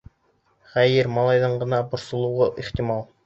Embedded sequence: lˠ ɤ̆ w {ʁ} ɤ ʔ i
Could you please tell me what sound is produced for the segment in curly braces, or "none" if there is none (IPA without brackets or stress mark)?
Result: ʁ